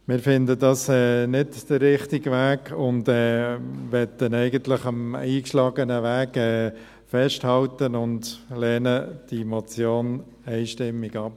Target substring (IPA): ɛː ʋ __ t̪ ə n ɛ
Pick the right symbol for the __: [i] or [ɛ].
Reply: ɛ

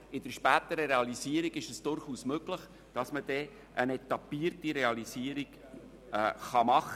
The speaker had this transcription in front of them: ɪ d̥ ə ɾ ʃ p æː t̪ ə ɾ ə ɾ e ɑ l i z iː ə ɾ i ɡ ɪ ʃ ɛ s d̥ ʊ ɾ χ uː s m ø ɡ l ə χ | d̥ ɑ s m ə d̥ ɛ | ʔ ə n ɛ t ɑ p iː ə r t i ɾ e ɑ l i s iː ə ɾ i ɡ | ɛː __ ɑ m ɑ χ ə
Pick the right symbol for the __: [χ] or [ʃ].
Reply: χ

